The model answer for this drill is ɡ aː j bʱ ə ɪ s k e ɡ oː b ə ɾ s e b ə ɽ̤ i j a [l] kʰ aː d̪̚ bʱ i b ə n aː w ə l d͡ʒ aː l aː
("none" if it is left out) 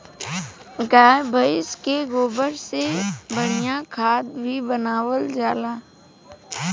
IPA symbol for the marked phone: none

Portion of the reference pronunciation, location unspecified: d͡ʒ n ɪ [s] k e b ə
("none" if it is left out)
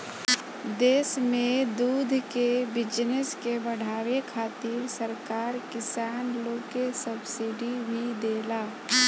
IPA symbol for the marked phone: s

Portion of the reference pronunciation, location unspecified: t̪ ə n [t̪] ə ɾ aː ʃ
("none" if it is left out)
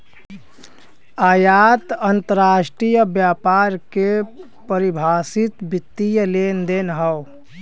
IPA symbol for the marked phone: t̪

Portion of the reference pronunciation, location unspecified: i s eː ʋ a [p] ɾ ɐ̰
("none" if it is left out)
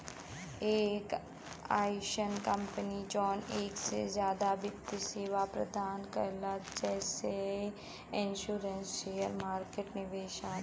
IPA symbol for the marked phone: p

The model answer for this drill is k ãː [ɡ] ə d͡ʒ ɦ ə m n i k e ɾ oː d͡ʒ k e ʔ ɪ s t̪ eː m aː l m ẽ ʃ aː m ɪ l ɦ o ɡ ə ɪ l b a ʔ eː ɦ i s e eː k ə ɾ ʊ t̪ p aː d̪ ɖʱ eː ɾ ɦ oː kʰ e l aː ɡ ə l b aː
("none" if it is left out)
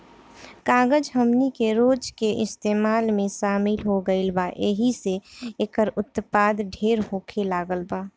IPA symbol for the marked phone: ɡ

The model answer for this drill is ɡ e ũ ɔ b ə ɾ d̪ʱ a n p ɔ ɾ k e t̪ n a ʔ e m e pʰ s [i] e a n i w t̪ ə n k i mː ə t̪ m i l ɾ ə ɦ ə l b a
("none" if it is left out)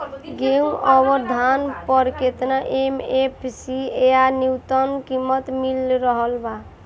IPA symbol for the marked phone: i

